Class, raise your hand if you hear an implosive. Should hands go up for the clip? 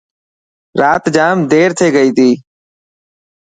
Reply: no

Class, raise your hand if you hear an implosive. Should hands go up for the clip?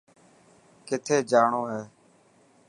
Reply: no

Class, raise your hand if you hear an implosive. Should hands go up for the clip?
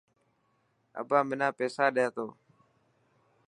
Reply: yes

